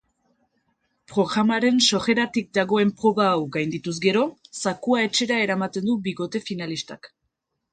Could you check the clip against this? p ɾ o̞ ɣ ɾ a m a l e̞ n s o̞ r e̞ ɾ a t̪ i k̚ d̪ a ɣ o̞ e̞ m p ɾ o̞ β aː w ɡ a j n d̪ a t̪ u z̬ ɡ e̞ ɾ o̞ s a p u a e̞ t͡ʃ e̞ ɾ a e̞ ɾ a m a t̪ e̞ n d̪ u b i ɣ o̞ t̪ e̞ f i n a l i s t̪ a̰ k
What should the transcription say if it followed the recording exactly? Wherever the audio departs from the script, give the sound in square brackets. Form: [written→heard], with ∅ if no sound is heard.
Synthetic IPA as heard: p ɾ o̞ ɣ ɾ a m a [l→ɾ] e̞ n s o̞ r e̞ ɾ a t̪ i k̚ d̪ a ɣ o̞ e̞ m p ɾ o̞ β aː w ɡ a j n d̪ [a→i] t̪ u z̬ ɡ e̞ ɾ o̞ s a [p→k] u a e̞ t͡ʃ e̞ ɾ a e̞ ɾ a m a t̪ e̞ n d̪ u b i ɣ o̞ t̪ e̞ f i n a l i s t̪ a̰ k